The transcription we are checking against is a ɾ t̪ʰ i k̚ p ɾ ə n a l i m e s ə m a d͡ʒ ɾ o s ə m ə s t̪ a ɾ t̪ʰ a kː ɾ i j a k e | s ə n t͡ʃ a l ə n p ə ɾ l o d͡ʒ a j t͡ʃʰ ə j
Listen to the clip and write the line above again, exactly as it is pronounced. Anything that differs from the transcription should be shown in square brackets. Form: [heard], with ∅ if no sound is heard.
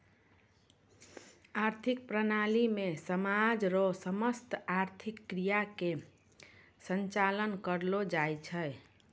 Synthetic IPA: a ɾ t̪ʰ i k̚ p ɾ ə n a l i m e s ə m a d͡ʒ ɾ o s ə m ə s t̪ a ɾ t̪ʰ [i] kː ɾ i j a k e | s ə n t͡ʃ a l ə n [k] ə ɾ l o d͡ʒ a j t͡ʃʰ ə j